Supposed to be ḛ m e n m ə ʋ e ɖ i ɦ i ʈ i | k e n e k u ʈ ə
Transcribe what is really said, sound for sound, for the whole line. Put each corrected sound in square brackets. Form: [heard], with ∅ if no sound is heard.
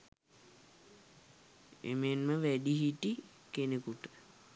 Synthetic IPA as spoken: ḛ m e n m ə ʋ [æ] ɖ i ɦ i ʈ i | k e n e k u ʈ ə